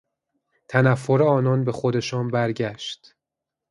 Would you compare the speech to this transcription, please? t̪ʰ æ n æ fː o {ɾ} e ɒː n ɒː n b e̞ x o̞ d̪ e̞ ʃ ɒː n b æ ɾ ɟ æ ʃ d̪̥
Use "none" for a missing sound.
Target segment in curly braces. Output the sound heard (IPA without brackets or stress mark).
ɾ